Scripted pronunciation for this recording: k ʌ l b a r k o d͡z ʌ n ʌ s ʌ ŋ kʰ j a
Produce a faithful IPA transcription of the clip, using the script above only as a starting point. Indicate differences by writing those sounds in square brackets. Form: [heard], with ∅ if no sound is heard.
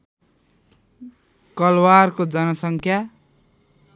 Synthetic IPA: k ʌ l [w] a r k o d͡z ʌ n ʌ s ʌ ŋ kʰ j a